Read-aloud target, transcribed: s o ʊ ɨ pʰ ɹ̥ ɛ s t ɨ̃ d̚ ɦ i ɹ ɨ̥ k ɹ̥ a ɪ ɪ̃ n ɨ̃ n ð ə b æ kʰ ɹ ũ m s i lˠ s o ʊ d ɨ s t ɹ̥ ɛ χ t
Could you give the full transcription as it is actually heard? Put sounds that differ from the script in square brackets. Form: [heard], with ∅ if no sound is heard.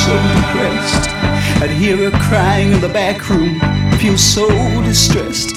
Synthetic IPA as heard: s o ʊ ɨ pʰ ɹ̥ ɛ s t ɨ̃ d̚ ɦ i ɹ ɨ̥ [kʰ] ɹ̥ a ɪ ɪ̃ [ŋ] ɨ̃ n ð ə b æ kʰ ɹ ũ m [f] i lˠ s o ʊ d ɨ s t ɹ̥ ɛ [s] t